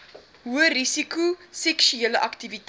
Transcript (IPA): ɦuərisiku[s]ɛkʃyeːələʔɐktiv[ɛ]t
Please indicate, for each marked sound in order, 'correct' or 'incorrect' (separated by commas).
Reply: correct, incorrect